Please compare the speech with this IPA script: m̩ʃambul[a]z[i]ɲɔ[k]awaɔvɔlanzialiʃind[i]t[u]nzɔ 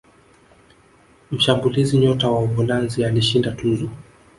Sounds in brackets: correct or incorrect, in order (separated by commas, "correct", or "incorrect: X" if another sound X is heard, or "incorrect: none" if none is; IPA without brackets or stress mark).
incorrect: i, correct, incorrect: t, incorrect: a, correct